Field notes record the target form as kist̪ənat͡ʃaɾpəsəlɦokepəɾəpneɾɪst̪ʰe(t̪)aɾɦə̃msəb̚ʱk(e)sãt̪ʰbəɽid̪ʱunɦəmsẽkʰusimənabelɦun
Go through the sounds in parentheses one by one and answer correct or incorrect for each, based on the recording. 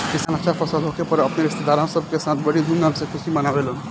incorrect: d̪, correct

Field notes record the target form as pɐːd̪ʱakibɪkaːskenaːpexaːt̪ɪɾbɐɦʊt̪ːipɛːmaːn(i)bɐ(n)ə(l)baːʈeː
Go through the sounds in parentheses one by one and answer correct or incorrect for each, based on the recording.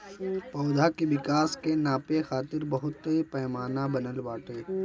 incorrect: a, correct, correct

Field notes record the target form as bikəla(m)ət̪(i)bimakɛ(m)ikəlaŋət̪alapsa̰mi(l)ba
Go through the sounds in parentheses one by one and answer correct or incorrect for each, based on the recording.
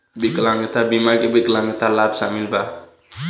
incorrect: ŋ, incorrect: a, incorrect: b, correct

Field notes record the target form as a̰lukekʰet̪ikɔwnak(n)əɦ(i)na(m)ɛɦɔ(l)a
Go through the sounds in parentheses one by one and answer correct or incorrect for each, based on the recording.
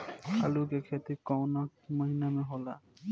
incorrect: m, correct, correct, correct

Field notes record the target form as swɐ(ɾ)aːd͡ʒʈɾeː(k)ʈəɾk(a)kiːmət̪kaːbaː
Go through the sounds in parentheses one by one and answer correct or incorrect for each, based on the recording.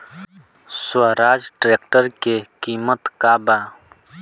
correct, correct, incorrect: e

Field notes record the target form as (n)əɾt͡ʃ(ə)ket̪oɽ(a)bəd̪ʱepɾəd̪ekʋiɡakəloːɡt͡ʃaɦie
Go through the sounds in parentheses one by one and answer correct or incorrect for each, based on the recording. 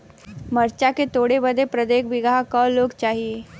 incorrect: m, incorrect: a, incorrect: e

